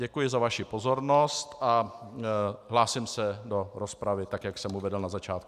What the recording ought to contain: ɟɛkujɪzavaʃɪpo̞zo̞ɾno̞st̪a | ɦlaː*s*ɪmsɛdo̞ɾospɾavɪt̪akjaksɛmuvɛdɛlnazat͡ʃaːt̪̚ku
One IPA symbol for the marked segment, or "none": s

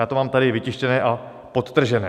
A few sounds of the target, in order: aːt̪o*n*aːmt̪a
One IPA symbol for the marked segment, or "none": m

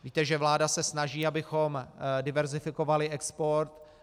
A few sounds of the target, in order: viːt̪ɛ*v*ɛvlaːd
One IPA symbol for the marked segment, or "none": ʒ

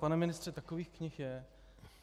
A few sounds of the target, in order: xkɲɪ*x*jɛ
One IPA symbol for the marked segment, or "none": x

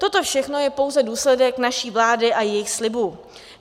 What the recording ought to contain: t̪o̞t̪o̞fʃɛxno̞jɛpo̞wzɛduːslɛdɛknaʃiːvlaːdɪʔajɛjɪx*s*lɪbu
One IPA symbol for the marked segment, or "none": s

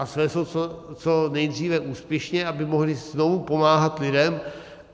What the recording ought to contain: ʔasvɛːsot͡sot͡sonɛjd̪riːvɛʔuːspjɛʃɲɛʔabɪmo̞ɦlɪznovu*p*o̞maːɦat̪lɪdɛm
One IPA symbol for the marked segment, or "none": p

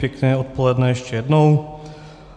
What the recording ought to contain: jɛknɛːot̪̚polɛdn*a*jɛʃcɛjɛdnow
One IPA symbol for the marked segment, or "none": ɛ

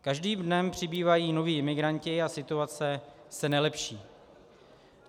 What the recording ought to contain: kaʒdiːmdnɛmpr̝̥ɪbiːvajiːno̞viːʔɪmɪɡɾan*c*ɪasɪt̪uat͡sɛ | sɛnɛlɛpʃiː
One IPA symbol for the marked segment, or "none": c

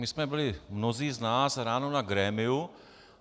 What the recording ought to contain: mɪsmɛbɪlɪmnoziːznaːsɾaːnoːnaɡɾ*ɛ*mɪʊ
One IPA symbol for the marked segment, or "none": ɛː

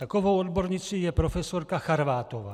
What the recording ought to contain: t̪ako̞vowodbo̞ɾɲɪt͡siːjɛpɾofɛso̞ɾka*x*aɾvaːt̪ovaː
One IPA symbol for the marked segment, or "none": x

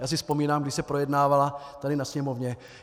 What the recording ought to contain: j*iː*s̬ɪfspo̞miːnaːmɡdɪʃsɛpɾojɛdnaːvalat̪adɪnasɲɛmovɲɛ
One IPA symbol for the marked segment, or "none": aː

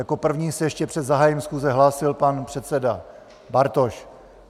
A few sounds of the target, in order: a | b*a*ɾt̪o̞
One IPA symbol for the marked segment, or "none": a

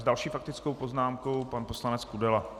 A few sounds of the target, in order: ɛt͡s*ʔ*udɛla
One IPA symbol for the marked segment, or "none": k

